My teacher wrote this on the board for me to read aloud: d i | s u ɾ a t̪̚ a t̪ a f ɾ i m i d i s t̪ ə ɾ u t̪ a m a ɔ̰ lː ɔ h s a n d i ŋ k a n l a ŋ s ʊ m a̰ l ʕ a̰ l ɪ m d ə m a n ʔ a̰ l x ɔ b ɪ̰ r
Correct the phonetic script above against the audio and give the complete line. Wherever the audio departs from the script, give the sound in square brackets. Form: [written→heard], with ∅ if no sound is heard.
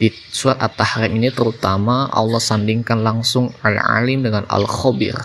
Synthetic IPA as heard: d i | s u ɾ a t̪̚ a t̪ a [f→h] ɾ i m i [d→n] i [s→∅] t̪ ə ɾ u t̪ a m a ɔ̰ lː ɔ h s a n d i ŋ k a n l a ŋ s ʊ [m→ŋ] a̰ l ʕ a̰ l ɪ m d ə [m→ŋ] a n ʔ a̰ l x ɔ b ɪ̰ r